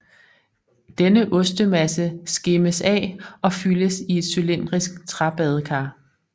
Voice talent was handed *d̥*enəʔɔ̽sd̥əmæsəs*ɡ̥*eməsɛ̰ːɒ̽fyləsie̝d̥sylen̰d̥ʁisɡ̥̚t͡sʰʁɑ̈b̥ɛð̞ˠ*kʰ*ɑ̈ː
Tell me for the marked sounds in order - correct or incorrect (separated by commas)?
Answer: correct, correct, correct